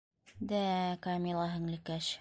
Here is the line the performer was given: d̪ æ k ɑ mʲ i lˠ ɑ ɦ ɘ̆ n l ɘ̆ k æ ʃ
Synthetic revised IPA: d̪ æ k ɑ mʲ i lˠ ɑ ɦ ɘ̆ ŋ l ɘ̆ k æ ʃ